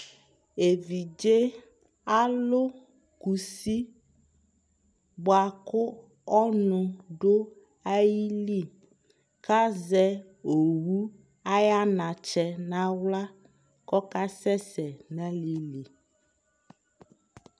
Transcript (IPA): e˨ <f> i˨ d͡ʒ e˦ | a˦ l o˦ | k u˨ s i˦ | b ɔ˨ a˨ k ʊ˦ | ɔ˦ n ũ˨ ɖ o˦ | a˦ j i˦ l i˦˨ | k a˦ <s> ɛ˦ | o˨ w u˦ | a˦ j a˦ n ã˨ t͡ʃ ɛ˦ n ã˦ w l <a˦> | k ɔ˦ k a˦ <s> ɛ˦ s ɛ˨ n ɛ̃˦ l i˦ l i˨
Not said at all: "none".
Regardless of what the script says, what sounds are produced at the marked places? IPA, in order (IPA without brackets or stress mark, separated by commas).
v, z, a˦, s